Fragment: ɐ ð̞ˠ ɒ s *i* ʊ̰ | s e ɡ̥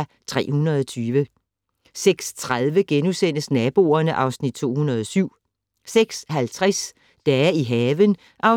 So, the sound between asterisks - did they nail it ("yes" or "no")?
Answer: no